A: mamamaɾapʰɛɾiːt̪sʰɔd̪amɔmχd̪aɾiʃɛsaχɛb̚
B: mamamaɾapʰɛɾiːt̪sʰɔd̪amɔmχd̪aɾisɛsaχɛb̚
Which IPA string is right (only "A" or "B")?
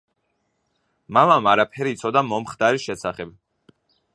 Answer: A